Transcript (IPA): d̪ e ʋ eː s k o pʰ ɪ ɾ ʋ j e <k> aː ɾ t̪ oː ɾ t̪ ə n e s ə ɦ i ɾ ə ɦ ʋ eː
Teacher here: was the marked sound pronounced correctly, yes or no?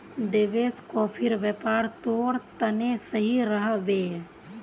no